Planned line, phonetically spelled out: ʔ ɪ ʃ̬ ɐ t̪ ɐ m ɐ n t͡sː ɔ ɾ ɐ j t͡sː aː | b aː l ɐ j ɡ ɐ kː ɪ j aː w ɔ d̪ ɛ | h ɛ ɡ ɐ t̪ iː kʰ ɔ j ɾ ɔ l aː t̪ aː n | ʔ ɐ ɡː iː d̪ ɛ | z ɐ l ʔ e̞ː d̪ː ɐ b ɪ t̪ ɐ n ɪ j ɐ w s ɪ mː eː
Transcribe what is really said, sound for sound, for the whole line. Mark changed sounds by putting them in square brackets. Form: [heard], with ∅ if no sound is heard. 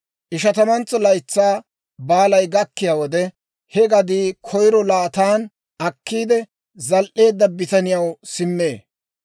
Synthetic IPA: ʔ ɪ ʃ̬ ɐ t̪ ɐ m ɐ n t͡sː ɔ [l] ɐ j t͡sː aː | b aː l ɐ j ɡ ɐ kː ɪ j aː w ɔ d̪ ɛ | h ɛ ɡ ɐ [d̪] iː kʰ ɔ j ɾ ɔ l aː t̪ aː n | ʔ ɐ [kː] iː d̪ ɛ | z ɐ l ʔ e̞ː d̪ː ɐ b ɪ t̪ ɐ n ɪ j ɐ w s ɪ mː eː